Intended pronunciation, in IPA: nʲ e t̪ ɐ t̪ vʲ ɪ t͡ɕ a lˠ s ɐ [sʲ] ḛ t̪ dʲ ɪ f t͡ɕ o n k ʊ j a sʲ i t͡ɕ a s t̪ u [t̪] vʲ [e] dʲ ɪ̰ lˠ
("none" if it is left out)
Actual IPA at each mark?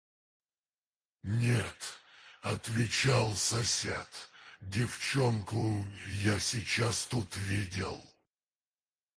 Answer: sʲ, t̪, i

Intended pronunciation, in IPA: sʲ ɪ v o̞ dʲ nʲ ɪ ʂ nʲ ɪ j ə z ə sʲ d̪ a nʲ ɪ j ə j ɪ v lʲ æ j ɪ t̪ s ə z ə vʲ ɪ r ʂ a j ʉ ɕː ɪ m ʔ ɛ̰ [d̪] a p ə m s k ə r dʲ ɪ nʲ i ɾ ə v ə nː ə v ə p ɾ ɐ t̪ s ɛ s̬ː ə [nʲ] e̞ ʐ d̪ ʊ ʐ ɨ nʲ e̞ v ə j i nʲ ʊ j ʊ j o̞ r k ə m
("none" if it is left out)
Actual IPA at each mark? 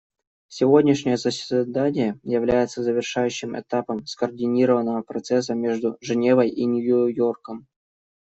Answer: t̪, mʲ

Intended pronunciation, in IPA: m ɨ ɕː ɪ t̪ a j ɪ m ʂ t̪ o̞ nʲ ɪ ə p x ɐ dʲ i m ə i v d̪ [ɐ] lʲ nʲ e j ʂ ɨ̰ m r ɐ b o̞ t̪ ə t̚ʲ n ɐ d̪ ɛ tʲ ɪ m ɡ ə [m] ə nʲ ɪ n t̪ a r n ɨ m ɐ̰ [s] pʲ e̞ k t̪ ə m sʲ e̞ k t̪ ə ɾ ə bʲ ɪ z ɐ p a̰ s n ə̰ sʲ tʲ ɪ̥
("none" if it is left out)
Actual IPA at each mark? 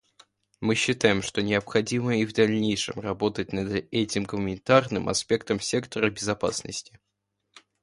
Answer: ɐ, m, s

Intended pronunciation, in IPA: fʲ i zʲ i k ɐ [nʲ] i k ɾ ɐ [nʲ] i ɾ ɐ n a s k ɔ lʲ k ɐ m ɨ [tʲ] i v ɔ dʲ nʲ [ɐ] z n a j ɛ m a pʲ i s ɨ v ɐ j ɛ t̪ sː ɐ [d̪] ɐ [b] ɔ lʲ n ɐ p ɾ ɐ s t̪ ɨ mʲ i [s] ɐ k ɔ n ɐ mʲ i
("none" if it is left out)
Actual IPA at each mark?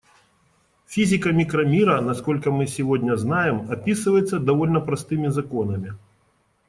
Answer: mʲ, mʲ, sʲ, ɐ, d̪, v, z

